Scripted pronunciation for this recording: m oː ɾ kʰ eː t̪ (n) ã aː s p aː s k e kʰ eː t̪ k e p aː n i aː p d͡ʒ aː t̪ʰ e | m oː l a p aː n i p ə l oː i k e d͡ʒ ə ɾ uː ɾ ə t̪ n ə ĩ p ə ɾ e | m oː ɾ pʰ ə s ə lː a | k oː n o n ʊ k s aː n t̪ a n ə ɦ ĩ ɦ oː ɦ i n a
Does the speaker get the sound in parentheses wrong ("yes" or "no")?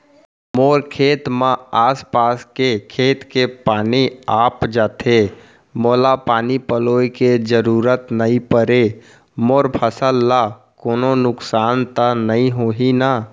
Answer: yes